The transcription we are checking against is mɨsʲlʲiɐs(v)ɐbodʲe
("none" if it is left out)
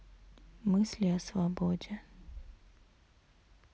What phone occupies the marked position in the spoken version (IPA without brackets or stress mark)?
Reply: v